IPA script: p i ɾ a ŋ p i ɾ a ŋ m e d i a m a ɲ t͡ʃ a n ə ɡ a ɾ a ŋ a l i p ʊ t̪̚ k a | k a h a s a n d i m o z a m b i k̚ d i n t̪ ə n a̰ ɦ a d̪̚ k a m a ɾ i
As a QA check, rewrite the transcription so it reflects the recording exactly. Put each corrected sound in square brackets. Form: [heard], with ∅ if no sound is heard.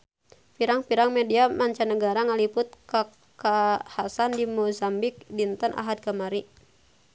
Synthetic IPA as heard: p i ɾ a ŋ p i ɾ a ŋ m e d i a m a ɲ t͡ʃ a n ə ɡ a ɾ a ŋ a l i p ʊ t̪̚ k a | k a h a s a n d i m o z a m b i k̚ d i n t̪ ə n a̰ ɦ a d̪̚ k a m a ɾ i